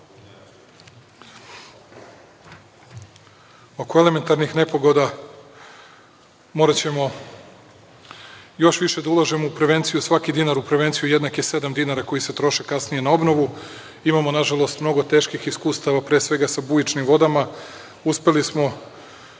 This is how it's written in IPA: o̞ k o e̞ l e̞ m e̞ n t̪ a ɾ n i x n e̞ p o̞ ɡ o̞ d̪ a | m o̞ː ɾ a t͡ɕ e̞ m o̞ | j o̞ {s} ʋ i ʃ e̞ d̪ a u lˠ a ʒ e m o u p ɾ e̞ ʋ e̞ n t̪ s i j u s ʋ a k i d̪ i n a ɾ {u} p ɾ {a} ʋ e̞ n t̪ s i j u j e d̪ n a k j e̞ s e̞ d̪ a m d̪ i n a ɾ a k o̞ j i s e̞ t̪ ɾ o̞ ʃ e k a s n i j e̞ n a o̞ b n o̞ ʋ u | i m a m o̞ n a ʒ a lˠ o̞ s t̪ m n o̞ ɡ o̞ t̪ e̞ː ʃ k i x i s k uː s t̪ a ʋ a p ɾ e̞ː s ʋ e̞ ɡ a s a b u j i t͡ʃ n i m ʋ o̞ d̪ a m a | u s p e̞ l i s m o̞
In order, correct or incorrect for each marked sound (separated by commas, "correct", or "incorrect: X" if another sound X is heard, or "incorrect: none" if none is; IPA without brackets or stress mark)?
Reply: incorrect: ʃ, correct, incorrect: e